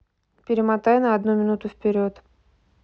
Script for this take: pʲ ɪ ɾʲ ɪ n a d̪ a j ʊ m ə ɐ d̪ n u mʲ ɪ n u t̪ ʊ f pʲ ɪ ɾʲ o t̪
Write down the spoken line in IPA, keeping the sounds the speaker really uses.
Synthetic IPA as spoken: pʲ ɪ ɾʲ ɪ m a t̪ a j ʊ n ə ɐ d̪ n u mʲ ɪ n u t̪ ʊ f pʲ ɪ ɾʲ o t̪